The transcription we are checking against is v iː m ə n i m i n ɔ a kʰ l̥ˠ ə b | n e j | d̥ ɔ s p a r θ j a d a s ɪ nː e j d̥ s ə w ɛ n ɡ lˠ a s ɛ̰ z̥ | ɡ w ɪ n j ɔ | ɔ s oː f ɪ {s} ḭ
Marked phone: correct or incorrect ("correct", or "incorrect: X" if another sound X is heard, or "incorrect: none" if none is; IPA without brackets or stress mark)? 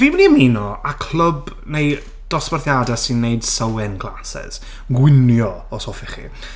incorrect: χ